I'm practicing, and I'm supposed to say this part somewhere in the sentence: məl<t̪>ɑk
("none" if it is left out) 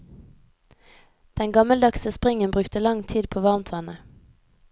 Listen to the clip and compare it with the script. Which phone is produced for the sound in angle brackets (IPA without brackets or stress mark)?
d̪